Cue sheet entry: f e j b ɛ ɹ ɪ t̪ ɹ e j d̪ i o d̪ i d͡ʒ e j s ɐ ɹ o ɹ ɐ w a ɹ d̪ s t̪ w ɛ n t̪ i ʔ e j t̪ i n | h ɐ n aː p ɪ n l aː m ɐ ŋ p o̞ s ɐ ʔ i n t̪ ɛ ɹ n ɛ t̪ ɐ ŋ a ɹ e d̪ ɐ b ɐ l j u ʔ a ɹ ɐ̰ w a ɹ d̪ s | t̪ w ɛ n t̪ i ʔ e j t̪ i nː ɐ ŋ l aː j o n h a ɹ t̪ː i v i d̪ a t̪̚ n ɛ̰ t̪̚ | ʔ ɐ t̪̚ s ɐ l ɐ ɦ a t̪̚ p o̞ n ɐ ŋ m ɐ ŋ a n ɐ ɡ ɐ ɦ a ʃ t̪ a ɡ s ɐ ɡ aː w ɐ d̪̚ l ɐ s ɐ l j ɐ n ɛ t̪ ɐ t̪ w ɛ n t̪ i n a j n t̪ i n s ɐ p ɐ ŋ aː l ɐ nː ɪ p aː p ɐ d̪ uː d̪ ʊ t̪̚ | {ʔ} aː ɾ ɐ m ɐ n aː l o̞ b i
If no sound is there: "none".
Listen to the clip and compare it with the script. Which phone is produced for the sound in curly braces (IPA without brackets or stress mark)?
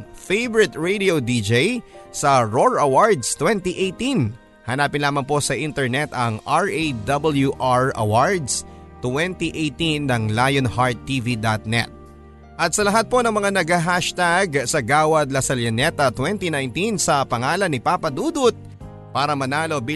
p